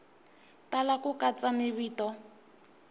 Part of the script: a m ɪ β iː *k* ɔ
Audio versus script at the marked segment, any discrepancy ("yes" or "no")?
yes